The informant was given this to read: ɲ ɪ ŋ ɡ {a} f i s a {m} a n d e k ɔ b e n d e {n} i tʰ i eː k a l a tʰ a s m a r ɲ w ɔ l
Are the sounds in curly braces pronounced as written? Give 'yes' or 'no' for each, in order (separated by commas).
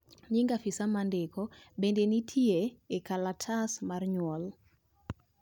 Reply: yes, yes, yes